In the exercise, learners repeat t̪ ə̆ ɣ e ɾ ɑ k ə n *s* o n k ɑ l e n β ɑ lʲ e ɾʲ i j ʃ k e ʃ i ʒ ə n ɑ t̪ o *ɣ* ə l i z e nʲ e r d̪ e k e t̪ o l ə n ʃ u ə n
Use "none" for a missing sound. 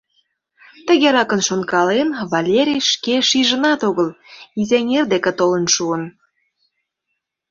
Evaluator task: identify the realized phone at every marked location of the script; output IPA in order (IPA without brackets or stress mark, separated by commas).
ʃ, ɣ